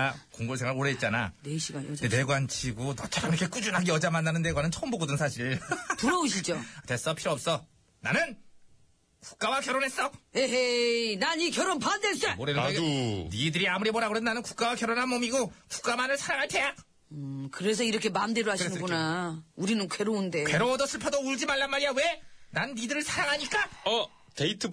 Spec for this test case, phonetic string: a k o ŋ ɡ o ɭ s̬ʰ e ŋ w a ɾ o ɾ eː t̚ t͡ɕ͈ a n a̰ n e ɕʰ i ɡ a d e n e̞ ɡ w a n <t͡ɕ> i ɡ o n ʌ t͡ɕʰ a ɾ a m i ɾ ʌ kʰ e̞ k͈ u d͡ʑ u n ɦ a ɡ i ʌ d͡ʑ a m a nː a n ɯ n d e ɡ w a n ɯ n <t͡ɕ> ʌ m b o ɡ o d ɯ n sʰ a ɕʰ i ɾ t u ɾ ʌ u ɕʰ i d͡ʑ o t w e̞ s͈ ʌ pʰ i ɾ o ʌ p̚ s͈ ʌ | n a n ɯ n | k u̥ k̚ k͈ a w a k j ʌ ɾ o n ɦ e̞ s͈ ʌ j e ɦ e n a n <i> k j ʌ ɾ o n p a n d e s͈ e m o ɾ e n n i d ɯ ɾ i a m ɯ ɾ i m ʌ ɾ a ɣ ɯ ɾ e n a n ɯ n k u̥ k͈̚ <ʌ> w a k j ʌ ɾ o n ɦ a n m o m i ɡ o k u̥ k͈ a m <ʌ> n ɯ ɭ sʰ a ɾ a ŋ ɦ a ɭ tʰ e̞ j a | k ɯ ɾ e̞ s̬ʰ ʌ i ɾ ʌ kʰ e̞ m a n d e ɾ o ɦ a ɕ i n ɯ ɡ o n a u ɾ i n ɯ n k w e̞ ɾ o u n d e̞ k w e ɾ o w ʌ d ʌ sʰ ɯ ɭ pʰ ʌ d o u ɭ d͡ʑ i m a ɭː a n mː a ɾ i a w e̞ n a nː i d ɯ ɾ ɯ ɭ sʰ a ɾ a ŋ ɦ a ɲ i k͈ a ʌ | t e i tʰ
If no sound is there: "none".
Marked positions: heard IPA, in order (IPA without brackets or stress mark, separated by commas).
t͡ɕʰ, t͡ɕʰ, i, a, a